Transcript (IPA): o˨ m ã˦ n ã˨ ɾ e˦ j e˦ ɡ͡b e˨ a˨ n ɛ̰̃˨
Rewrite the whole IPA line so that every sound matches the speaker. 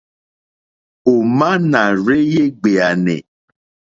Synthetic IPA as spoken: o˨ m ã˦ n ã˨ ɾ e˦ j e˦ ɡ͡b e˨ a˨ n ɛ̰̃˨